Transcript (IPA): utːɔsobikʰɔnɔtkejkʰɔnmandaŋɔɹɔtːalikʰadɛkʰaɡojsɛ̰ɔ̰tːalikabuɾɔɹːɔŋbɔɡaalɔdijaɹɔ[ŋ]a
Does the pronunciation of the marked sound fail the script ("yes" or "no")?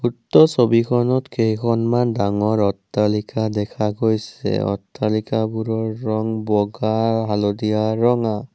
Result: no